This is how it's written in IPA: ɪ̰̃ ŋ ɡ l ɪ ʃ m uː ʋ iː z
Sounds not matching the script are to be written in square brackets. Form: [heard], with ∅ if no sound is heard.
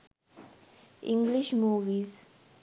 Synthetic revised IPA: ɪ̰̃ ŋ ɡ l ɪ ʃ m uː ʋ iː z